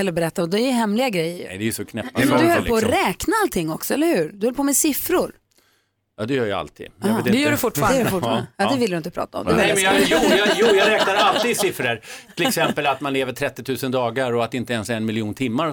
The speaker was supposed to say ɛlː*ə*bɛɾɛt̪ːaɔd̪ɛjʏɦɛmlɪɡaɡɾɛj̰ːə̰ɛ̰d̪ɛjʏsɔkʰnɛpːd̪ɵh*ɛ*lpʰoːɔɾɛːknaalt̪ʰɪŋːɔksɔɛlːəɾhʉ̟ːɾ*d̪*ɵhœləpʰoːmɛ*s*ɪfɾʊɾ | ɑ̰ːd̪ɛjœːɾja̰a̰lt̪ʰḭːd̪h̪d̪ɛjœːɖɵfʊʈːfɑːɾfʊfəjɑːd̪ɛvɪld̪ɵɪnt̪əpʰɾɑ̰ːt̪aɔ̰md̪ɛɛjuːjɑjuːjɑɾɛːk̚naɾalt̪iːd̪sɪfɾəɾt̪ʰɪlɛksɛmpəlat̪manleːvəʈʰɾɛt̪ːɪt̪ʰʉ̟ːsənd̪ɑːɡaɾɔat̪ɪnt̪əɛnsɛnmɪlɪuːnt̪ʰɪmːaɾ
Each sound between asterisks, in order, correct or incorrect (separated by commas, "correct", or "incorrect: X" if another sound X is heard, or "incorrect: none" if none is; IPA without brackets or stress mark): correct, incorrect: œ, correct, correct